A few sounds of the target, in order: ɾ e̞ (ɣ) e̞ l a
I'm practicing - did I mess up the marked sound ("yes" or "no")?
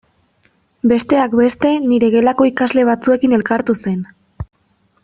no